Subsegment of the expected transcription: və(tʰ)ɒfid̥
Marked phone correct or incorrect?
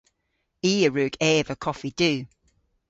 incorrect